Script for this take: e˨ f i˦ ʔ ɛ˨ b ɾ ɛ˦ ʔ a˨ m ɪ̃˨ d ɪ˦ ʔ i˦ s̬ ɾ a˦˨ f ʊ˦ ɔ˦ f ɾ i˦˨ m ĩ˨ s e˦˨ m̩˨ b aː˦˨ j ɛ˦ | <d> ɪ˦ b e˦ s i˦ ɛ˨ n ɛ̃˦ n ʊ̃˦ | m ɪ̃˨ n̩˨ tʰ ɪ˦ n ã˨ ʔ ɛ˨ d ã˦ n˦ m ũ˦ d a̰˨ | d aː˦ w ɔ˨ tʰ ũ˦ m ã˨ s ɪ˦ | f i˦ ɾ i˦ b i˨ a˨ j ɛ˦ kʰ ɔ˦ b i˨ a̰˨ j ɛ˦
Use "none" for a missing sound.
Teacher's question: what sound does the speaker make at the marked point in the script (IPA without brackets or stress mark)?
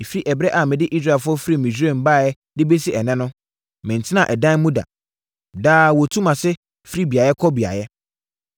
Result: d